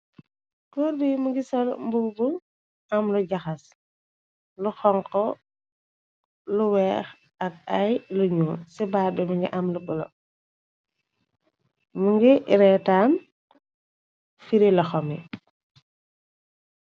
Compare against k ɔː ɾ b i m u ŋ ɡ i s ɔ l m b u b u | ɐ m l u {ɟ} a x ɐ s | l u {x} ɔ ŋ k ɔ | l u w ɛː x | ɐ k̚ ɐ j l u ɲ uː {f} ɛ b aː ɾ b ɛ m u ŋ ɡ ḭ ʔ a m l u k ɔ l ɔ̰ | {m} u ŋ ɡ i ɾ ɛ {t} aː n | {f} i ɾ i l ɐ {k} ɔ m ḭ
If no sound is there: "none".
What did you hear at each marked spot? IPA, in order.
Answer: ɟ, x, s, m, t, f, x

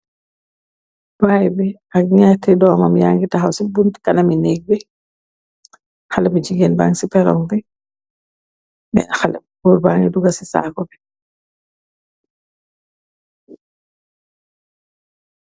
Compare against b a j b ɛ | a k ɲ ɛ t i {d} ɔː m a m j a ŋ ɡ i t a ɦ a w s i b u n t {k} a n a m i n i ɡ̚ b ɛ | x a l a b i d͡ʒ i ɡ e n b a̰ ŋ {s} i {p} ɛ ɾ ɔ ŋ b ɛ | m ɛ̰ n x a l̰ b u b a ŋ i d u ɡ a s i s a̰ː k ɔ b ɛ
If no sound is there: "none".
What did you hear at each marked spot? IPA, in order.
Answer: d, k, s, p

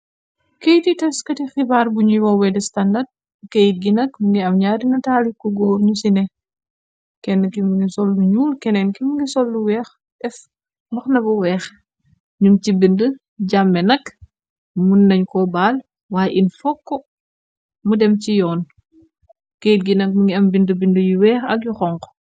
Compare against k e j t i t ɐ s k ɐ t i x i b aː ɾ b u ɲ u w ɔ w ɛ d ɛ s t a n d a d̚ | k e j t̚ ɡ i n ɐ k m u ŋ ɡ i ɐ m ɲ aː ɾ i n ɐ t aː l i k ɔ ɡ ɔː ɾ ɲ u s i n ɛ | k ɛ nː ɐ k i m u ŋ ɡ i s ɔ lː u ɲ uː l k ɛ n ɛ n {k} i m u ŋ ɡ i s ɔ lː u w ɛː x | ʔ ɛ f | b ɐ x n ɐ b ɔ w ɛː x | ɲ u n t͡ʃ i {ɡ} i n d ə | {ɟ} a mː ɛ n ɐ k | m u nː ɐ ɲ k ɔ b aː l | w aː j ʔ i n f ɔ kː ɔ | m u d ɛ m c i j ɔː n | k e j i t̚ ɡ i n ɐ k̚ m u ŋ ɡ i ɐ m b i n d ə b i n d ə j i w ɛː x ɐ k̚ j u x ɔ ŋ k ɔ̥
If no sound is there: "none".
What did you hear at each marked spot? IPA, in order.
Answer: k, b, ɟ

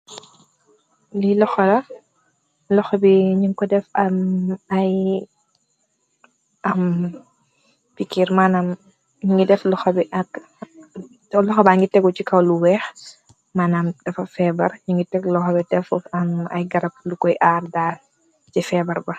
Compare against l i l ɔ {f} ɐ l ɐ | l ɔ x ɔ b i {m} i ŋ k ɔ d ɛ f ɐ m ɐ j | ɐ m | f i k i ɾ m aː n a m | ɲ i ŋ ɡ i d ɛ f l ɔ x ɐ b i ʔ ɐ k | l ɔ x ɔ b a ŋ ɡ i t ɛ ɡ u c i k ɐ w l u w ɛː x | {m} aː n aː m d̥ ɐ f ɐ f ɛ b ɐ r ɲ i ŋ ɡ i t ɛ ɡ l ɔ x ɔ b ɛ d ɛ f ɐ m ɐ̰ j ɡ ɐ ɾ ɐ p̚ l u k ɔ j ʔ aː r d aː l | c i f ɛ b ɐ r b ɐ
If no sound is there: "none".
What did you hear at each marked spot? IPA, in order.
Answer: x, ɲ, m

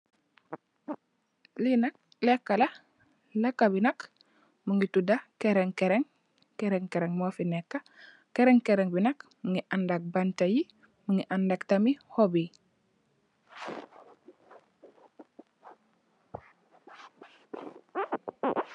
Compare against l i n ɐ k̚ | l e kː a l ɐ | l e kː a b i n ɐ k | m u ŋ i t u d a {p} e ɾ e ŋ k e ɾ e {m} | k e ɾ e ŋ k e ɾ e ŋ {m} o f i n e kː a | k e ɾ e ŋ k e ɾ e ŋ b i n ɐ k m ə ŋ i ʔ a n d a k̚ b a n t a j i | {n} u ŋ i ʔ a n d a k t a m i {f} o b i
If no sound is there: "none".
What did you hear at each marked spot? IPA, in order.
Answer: k, ŋ, m, m, h

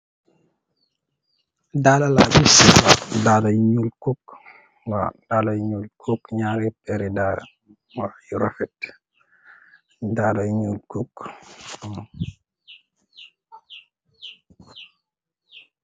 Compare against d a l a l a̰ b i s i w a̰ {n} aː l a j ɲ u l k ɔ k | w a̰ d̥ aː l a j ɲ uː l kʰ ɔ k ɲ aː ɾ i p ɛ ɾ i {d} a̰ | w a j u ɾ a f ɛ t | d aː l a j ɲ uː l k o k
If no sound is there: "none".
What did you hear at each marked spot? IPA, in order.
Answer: d, d

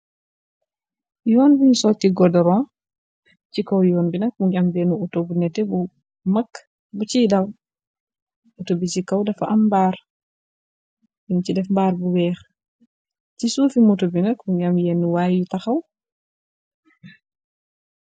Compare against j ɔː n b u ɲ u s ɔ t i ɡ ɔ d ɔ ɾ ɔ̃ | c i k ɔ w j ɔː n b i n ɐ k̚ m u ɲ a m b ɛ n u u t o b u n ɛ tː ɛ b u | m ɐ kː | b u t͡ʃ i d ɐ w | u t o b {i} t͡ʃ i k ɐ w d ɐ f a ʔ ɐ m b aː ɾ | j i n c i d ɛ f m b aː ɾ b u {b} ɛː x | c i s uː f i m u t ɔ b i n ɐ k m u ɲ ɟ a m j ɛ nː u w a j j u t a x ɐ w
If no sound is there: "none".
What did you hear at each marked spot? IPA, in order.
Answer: i, w

